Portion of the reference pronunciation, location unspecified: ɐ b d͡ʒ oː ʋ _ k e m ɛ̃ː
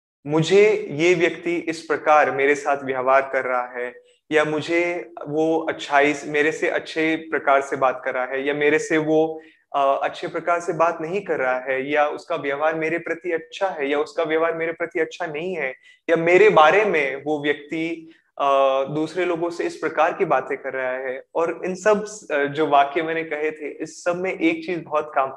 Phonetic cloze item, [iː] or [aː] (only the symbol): aː